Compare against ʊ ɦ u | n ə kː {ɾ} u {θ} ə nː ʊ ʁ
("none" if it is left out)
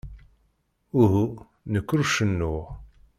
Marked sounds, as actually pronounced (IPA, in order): ɾ, ʃ

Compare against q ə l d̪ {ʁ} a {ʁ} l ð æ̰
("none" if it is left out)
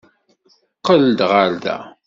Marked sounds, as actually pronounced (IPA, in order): ʁ, none

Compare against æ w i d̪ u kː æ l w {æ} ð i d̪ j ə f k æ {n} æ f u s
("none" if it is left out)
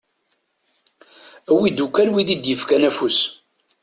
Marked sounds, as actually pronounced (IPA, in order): i, n

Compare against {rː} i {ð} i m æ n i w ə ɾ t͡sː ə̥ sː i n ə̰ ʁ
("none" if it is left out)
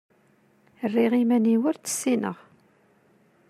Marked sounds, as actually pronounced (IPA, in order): rː, ʁ

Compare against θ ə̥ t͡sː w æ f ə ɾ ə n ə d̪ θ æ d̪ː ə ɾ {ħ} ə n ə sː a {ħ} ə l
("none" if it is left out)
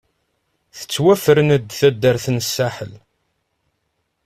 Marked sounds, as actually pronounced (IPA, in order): θ, ħ

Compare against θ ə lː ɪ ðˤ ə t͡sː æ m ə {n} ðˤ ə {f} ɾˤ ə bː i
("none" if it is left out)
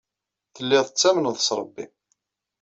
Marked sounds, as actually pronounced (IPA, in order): n, s

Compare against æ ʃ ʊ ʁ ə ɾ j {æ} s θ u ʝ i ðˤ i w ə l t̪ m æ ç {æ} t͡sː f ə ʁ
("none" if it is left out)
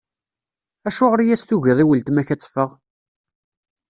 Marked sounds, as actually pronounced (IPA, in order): æ, æ

